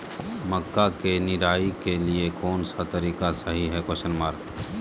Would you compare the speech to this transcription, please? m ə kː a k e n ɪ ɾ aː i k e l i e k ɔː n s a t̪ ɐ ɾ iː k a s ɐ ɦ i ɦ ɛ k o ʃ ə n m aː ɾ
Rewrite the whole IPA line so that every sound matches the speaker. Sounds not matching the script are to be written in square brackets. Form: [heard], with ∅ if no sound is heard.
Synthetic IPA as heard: m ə kː a k e n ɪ ɾ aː i k e l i e k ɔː n s a t̪ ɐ ɾ iː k a s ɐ ɦ i ɦ ɛ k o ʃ ə n m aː ɾ